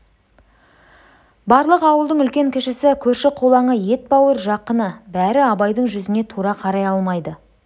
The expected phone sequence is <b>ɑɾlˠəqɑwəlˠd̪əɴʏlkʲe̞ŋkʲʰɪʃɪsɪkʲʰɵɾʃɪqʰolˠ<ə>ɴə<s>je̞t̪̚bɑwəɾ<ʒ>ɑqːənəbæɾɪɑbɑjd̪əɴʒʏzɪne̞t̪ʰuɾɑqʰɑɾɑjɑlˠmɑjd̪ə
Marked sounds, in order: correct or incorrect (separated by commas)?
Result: correct, incorrect, incorrect, correct